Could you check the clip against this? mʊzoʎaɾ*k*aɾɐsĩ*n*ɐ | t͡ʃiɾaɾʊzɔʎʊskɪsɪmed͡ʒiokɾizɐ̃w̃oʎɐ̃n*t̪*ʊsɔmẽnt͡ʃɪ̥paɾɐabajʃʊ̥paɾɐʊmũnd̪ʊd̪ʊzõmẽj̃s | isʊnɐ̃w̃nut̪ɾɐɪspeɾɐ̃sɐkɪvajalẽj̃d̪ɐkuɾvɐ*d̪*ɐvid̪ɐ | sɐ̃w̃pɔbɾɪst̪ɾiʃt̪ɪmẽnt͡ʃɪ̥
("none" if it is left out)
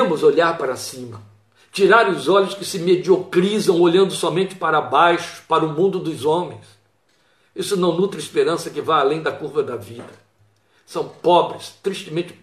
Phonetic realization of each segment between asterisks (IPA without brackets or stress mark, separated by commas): p, m, d̪, d̪